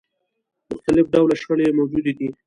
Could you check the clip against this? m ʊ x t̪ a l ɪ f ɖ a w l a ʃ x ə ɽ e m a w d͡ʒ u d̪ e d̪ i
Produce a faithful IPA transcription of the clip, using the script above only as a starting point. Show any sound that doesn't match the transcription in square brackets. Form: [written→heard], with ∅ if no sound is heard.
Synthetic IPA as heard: m ʊ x t̪ a l ɪ f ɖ a w l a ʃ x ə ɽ e m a w d͡ʒ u d̪ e d̪ i

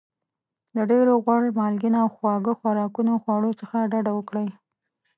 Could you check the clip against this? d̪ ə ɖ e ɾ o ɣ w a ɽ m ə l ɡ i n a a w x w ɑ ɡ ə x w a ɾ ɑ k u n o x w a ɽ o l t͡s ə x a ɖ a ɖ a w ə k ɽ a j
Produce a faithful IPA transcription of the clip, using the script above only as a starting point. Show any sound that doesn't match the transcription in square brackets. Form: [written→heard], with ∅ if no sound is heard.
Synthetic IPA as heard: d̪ ə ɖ e ɾ o ɣ w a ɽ m [ə→ɑ] l ɡ i n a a w x w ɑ ɡ ə x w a ɾ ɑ k u n o x w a ɽ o [l→∅] t͡s ə x a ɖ a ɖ a w ə k ɽ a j

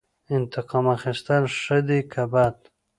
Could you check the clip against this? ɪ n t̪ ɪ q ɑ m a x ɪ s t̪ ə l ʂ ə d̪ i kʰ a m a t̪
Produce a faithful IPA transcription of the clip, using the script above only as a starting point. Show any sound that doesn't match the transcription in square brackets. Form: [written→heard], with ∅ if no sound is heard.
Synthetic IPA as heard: ɪ n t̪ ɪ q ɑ m a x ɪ s t̪ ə l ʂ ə d̪ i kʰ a [m→b] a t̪

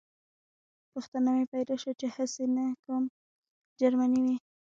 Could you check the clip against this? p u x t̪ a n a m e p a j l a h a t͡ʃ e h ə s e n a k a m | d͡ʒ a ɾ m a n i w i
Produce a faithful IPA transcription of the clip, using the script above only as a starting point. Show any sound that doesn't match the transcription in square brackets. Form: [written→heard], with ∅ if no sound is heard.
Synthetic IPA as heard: p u x t̪ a n a m e p a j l a [h→ʃ] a t͡ʃ e h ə s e n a k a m | d͡ʒ a ɾ m a n i w i

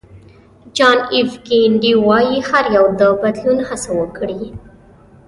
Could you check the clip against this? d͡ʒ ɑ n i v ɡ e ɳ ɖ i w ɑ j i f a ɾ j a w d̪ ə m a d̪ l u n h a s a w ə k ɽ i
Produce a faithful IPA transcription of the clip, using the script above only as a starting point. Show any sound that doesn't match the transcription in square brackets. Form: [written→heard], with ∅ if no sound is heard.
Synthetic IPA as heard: d͡ʒ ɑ n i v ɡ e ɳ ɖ i w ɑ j i [f→h] a ɾ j a w d̪ ə [m→b] a d̪ l u n h a s a w ə k ɽ i

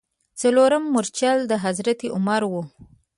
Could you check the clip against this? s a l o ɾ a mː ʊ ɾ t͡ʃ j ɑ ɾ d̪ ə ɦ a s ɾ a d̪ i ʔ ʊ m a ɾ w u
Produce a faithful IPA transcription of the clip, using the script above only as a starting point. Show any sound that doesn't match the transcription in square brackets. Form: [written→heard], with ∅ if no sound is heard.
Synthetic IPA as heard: [s→t͡s] a l o ɾ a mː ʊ ɾ t͡ʃ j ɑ [ɾ→l] d̪ ə ɦ a [s→z] ɾ a [d̪→t̪] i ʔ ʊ m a ɾ w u

